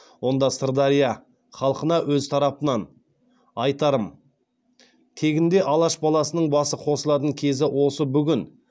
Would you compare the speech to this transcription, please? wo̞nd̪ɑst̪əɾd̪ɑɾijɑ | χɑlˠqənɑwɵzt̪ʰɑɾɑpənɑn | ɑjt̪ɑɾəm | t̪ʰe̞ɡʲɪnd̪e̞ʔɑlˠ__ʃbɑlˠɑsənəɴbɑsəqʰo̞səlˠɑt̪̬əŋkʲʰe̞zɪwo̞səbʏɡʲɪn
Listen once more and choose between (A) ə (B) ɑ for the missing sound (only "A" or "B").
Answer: B